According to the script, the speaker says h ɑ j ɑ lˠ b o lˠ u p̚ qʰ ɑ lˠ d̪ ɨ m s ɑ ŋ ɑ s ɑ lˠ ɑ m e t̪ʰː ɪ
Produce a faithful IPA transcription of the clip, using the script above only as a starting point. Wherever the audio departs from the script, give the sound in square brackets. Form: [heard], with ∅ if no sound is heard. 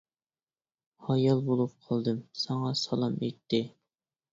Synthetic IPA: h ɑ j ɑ lˠ b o lˠ u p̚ qʰ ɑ lˠ d̪ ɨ m s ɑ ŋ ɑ s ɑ lˠ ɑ m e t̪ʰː ɪ